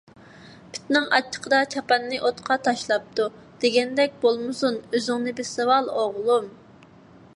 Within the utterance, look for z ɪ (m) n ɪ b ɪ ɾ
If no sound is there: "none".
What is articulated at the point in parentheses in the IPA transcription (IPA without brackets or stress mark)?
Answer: ŋ